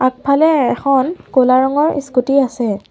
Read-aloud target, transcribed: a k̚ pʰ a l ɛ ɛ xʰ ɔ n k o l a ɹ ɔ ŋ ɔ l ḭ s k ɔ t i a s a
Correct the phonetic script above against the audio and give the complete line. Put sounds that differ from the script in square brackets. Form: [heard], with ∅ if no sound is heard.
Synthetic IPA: a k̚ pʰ a l ɛ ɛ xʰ ɔ n k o l a ɹ ɔ ŋ ɔ [ɹ] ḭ s k [u] t i a s [ɛ]